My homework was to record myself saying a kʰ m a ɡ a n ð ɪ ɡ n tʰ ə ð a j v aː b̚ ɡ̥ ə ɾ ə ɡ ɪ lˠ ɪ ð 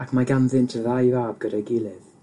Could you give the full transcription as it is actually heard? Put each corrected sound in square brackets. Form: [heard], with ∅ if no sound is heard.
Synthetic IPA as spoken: a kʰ m a ɡ a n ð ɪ [∅] n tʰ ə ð a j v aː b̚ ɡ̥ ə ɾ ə ɡ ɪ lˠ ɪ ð